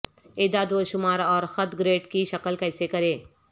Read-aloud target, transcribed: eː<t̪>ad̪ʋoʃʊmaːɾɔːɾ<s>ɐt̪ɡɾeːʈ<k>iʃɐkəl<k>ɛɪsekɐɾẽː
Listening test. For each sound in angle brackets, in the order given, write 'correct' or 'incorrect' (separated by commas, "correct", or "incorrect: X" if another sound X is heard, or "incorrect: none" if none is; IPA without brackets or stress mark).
incorrect: d̪, incorrect: x, correct, correct